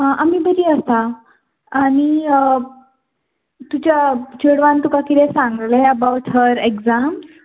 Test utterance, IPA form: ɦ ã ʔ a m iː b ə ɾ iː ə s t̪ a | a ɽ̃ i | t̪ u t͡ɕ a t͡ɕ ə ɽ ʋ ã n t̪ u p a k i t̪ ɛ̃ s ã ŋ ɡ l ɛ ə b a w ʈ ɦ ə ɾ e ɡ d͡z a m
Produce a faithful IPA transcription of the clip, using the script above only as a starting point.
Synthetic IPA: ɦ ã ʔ a m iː b ə ɾ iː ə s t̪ a | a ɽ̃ i | t̪ u t͡ɕ a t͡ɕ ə ɽ ʋ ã n t̪ u k a k i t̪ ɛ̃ s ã ŋ ɡ l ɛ ə b a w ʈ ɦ ə ɾ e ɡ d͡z a m